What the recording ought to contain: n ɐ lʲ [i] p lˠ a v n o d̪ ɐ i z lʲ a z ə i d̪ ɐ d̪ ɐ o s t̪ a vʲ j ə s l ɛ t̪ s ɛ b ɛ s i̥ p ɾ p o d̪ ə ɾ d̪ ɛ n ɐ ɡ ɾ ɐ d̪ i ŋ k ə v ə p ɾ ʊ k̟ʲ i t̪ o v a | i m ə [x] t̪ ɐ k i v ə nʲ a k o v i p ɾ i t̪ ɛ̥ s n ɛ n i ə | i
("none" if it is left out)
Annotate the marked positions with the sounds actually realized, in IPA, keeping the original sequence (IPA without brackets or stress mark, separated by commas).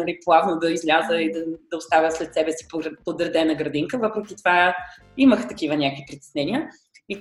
i, x